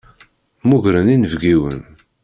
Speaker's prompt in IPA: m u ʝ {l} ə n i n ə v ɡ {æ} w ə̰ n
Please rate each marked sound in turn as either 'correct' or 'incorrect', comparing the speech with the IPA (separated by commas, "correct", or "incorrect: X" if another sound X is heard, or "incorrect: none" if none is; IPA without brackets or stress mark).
incorrect: ɾ, incorrect: i